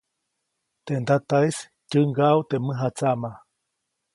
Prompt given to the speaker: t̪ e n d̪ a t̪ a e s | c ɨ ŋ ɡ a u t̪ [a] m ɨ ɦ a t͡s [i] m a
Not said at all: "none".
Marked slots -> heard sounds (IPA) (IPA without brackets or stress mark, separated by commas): e, a